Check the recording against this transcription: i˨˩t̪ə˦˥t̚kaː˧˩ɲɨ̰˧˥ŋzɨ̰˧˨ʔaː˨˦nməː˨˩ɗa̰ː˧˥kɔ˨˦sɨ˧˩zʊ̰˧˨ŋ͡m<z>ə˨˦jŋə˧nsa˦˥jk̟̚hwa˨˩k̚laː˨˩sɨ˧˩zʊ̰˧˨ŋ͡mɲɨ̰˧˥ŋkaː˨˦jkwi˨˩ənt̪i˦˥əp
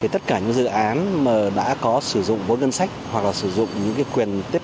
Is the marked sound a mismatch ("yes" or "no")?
yes